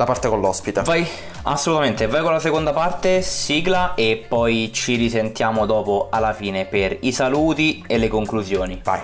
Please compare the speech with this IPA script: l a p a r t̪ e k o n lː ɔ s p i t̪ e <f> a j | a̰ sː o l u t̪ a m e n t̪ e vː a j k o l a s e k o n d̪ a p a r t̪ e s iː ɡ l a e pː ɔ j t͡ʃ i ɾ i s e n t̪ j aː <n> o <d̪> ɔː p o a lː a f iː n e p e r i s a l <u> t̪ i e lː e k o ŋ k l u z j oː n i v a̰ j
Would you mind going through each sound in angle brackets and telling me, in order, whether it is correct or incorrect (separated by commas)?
incorrect, incorrect, correct, incorrect